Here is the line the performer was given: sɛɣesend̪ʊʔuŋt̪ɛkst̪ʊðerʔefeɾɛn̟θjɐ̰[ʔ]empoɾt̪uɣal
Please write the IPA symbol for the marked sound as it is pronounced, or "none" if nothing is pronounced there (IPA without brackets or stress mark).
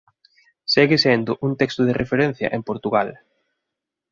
ʔ